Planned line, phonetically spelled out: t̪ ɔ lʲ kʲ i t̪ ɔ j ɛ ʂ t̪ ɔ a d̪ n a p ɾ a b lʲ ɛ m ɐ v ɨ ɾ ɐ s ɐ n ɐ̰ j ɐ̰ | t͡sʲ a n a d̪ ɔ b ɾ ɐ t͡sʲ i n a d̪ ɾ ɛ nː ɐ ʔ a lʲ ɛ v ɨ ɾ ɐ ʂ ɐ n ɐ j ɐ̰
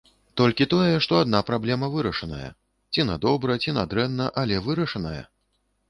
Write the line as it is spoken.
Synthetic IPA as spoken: t̪ ɔ lʲ kʲ i t̪ ɔ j ɛ ʂ t̪ ɔ a d̪ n a p ɾ a b lʲ ɛ m ɐ v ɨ ɾ ɐ ʂ ɐ n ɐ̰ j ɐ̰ | t͡sʲ i n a d̪ ɔ b ɾ ɐ t͡sʲ i n a d̪ ɾ ɛ nː ɐ ʔ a lʲ ɛ v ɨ ɾ ɐ ʂ ɐ n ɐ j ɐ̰